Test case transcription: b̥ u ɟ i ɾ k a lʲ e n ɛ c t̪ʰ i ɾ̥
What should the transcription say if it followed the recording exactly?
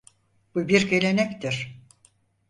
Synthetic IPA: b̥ u b i ɾ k e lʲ e n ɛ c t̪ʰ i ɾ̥